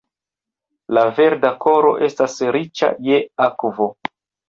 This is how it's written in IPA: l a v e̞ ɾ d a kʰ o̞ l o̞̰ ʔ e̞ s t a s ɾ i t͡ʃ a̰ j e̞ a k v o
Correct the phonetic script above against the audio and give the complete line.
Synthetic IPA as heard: l a v e̞ ɾ d a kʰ o̞ ɾ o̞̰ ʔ e̞ s t a s ɾ i t͡ʃ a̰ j e̞ a k v o